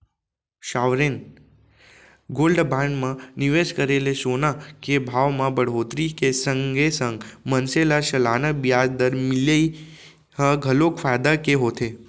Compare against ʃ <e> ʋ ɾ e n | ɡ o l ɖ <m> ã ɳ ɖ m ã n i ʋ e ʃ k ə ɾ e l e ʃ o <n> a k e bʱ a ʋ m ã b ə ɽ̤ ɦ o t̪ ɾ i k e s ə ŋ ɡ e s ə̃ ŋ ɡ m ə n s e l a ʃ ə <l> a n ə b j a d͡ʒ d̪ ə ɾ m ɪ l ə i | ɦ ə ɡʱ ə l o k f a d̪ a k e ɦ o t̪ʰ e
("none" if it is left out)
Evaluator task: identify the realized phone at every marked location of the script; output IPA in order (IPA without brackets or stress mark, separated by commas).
a, b, n, l